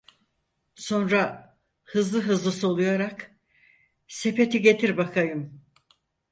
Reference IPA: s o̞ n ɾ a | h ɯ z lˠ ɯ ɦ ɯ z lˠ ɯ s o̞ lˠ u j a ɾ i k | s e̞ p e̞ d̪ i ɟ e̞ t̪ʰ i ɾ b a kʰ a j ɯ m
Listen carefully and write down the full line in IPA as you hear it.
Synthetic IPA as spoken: s o̞ n ɾ a | h ɯ z lˠ ɯ ɦ ɯ z lˠ ɯ s o̞ lˠ u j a ɾ a k | s e̞ p e̞ t̪ i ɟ e̞ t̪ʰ i ɾ b a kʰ a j ɯ m